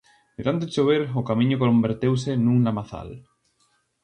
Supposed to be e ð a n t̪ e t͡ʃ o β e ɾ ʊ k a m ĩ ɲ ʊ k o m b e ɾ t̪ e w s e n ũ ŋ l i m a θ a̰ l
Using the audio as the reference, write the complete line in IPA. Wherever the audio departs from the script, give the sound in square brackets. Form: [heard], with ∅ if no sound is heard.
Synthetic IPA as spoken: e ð a n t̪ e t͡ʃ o β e ɾ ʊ k a m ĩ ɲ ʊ k o m b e ɾ t̪ e w s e n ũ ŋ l [a] m a θ a̰ l